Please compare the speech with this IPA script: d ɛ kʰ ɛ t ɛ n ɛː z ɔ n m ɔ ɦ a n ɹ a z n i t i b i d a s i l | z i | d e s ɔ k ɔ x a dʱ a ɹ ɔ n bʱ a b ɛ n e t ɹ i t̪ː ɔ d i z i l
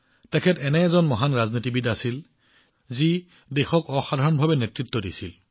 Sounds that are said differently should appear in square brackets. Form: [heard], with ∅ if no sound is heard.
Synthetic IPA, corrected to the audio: [t] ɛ kʰ ɛ t ɛ n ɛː z ɔ n m ɔ ɦ a n ɹ a z n i t i b i d a s i l | z i | d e [x] ɔ k ɔ x a dʱ a ɹ ɔ n bʱ a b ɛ n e t ɹ i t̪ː ɔ d i [s] i l

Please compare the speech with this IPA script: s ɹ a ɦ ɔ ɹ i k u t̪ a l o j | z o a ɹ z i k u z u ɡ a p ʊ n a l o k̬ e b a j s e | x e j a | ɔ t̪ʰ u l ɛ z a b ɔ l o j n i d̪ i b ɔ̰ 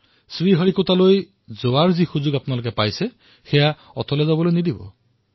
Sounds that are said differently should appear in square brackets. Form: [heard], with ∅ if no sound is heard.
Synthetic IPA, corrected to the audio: s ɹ [i] ɦ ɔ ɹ i k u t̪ a l o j | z o a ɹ z i [x] u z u ɡ a p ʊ n a l o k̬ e [p] a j s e | x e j a | ɔ t̪ʰ [ɔ] l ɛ z a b ɔ l o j n i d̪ i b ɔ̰

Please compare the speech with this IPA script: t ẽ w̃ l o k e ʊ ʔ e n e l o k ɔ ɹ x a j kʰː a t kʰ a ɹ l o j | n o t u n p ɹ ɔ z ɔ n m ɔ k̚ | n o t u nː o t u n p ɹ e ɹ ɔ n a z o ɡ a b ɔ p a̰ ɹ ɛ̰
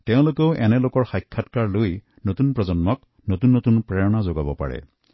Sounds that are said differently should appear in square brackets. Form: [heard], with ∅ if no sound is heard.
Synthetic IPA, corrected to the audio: t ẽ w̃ l o k e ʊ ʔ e n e l o k ɔ ɹ x a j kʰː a t [k] a ɹ l o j | n o t u n p ɹ ɔ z ɔ n m ɔ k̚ | n o t u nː o t u n p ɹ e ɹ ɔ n a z o ɡ a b ɔ p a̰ ɹ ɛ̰

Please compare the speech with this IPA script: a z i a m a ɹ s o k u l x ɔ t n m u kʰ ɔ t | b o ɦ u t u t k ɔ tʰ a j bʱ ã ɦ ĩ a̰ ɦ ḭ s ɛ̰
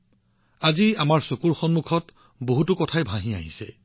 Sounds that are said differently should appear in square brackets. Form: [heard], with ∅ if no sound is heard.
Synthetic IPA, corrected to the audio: a z i a m a ɹ s o k u [ɹ] x ɔ [∅] n m u kʰ ɔ t | b o ɦ u t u [∅] k ɔ tʰ a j bʱ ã ɦ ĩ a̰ ɦ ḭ s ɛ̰

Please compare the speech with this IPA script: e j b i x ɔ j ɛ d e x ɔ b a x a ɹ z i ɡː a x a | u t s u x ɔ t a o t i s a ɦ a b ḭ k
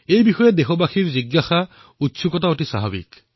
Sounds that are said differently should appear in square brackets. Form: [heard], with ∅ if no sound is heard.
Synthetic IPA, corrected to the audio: e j b i x ɔ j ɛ d e x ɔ b a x [i] ɹ z i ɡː a x a | u t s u [k] ɔ t a o t i s a ɦ a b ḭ k

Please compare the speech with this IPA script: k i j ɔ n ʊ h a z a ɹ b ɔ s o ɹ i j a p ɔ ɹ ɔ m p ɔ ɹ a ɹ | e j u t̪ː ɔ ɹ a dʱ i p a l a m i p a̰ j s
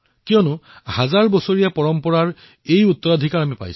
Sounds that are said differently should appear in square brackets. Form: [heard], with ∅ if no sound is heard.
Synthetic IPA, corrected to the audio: k i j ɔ n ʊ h a z a ɹ b ɔ s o ɹ i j a p ɔ ɹ ɔ m p ɔ ɹ a ɹ | e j u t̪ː ɔ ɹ a dʱ i [k] a [ɹ] a m i p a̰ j s

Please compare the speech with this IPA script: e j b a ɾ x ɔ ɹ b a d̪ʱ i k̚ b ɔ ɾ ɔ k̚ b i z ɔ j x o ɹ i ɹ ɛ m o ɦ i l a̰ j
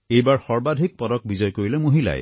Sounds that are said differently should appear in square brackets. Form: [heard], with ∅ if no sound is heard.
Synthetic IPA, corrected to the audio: e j b a [ɹ] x ɔ ɹ b a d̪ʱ i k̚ [p] ɔ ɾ ɔ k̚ b i z ɔ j [k] o ɹ i [l] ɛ m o ɦ i l a̰ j

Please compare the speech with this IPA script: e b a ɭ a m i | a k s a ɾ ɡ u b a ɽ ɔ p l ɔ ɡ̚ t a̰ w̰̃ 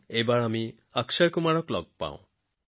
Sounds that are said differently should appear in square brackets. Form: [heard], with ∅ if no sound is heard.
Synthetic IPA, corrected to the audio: e b a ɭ a m i | a k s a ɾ [k] u [m] a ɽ ɔ [k] l ɔ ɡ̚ [p] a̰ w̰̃

